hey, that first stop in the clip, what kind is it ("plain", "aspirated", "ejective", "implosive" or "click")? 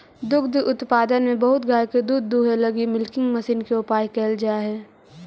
plain